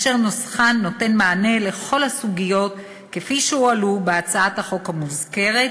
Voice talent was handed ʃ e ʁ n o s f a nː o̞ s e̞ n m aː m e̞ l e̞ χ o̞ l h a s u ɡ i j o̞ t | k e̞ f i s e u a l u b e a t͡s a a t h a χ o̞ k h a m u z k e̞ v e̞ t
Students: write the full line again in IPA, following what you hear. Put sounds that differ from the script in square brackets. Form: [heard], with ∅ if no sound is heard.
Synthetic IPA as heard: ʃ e ʁ n o s [χ] a nː o̞ [t] e̞ n m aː [n] e̞ l e̞ χ o̞ l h a s u ɡ i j o̞ t | k e̞ f i [ʃ] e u a l u b e a t͡s a a t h a χ o̞ k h a m u z k e̞ [ʁ] e̞ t